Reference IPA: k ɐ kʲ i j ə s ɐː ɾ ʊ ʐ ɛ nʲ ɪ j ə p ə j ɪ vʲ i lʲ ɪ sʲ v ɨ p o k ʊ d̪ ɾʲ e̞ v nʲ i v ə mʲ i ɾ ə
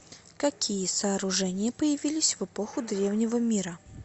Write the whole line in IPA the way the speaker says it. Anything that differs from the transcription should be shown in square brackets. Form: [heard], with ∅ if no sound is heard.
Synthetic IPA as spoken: k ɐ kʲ i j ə s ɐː ɾ ʊ ʐ ɛ nʲ ɪ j ə p ə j ɪ vʲ i lʲ ɪ sʲ v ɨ p o [x] ʊ d̪ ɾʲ e̞ v nʲ [ɪ] v ə mʲ i ɾ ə